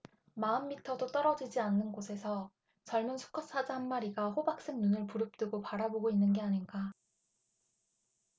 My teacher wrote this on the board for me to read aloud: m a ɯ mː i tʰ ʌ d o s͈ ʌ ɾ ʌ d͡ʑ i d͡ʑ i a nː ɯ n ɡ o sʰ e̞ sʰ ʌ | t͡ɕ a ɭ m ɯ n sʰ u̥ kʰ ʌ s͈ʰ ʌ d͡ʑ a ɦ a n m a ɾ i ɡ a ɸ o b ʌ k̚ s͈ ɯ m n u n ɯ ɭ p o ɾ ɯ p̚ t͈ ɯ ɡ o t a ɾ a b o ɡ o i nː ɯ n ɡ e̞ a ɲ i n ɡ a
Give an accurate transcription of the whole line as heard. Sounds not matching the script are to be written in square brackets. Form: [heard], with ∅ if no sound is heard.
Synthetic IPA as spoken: m a ɯ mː i tʰ ʌ d o [t͈] ʌ ɾ ʌ d͡ʑ i d͡ʑ i a nː ɯ n ɡ o sʰ e̞ sʰ ʌ | t͡ɕ [ʌ] ɭ m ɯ n sʰ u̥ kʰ ʌ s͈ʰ [a] d͡ʑ a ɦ a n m a ɾ i ɡ a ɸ o b [a] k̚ s͈ ɯ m n u n ɯ ɭ p [u] ɾ ɯ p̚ t͈ ɯ ɡ o [p] a ɾ a b o ɡ o i nː ɯ n ɡ e̞ a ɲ i n ɡ a